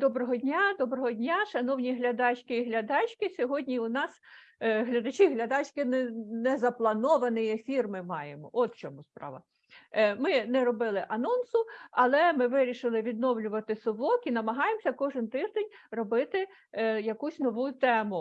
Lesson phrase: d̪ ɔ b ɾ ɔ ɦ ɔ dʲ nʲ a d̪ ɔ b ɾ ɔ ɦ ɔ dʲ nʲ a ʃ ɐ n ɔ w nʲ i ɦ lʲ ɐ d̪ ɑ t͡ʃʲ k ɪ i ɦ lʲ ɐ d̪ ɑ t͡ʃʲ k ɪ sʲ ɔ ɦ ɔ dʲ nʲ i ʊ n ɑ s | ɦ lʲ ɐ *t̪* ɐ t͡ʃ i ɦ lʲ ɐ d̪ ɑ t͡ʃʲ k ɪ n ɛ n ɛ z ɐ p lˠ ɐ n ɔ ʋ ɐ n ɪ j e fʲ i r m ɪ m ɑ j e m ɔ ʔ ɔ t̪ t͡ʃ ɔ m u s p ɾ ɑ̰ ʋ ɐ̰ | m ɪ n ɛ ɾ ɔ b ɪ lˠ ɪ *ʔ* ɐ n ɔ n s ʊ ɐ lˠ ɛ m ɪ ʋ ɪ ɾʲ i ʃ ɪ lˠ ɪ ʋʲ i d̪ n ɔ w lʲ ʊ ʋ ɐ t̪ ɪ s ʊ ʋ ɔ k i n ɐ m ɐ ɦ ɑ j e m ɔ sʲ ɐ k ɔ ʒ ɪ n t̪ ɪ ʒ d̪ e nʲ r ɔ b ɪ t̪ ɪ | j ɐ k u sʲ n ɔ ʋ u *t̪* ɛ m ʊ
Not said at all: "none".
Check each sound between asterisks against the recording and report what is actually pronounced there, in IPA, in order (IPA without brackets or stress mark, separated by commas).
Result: d̪, ʔ, t̪